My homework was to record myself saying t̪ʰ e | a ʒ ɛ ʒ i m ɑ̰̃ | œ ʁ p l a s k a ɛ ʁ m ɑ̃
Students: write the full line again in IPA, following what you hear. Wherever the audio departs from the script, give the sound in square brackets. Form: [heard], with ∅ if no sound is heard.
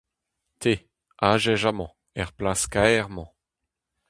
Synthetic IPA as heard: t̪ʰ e | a ʒ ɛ ʒ [a] m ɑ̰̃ | [ɛ] ʁ p l a s k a ɛ ʁ m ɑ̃